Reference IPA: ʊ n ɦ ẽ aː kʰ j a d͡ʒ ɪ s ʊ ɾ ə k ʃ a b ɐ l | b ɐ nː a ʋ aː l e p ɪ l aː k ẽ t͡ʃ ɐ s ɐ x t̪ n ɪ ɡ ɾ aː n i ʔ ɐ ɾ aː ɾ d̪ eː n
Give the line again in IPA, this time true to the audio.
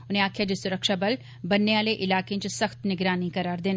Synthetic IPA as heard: ʊ n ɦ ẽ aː kʰ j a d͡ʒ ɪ s ʊ ɾ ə k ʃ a b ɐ l | b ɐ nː e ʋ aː l e ʔ ɪ l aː k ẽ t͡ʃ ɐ s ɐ x t̪ n ɪ ɡ ɾ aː n i k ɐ ɾ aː ɾ d̪ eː n